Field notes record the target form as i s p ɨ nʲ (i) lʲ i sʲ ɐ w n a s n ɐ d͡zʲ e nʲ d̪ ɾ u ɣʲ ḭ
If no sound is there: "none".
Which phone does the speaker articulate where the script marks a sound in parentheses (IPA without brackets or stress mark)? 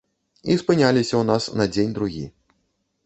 a